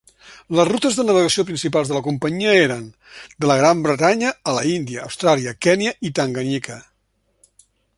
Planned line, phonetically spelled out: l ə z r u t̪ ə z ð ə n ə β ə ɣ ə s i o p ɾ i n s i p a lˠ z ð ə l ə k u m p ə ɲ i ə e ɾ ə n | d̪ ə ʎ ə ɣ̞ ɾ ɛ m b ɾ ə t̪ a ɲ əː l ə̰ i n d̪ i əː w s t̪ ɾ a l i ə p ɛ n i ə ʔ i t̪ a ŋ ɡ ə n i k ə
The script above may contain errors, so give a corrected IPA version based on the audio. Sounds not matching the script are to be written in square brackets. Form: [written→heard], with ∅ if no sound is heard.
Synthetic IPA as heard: l ə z r u t̪ ə z ð ə n ə β ə ɣ ə s i o p ɾ i n s i p a lˠ z ð ə l ə k u m p ə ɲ i ə e ɾ ə n | d̪ ə [ʎ→l] ə ɣ̞ ɾ [ɛ→a] m b ɾ ə t̪ a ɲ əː l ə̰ i n d̪ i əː w s t̪ ɾ a l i ə [p→k] ɛ n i ə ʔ i t̪ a ŋ ɡ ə n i k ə

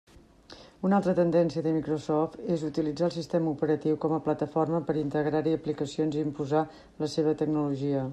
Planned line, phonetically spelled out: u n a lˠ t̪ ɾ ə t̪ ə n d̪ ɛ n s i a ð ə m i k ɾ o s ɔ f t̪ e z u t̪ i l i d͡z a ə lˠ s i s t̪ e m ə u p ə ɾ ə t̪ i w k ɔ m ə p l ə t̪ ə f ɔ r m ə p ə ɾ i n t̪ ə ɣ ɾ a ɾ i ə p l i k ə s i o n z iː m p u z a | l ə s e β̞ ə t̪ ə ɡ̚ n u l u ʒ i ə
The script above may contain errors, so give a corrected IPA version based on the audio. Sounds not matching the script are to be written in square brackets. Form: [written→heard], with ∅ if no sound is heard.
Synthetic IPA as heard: u n a lˠ t̪ ɾ ə t̪ ə n d̪ ɛ n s i [a→ə] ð ə m i k ɾ o s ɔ f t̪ e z u t̪ i l i d͡z a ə lˠ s i s t̪ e m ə u p ə ɾ ə t̪ i w k ɔ m ə p l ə t̪ ə f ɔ r m ə p ə ɾ i n t̪ ə ɣ ɾ a ɾ i ə p l i k ə s i o n z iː m p u z a | l ə s e β̞ ə t̪ ə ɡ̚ n u l u ʒ i ə

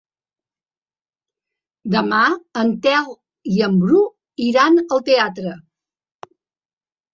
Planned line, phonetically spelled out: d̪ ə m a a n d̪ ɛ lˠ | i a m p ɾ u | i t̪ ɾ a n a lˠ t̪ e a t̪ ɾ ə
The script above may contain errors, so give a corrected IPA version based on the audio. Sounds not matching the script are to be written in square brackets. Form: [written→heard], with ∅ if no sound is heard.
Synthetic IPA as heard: d̪ ə m a [a→ə] n [d̪→t̪] ɛ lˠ | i [a→ə] m [p→b] ɾ u | i [t̪→∅] ɾ a n [a→ə] lˠ t̪ e a t̪ ɾ ə

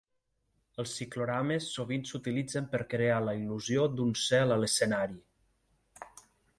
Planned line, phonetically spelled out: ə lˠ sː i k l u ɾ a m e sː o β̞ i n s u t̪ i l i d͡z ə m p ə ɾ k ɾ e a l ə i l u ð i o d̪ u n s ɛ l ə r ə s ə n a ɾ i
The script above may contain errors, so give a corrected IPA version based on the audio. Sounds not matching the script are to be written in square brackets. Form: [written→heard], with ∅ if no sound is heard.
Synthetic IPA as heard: ə lˠ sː i k l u ɾ a m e sː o β̞ i n s u t̪ i l i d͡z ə m p ə ɾ k ɾ e a l ə i l u [ð→z] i o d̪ u n s ɛ l ə [r→l] ə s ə n a ɾ i

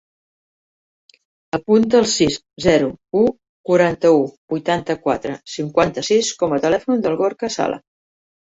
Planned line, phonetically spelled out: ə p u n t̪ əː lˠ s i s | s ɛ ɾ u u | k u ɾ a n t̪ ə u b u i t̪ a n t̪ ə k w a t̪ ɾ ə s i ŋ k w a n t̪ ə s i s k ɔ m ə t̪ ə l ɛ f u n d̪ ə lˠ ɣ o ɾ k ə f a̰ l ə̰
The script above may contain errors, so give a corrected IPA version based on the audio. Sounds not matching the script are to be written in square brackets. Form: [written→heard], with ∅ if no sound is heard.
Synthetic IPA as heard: ə p u n t̪ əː lˠ s i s | [s→z] ɛ ɾ u u | k u ɾ a n t̪ ə u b u [i→j] t̪ a n t̪ ə k w a t̪ ɾ ə s i ŋ k w a n t̪ ə s i s k ɔ m ə t̪ ə l ɛ f u n d̪ ə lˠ ɣ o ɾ k ə [f→s] a̰ l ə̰

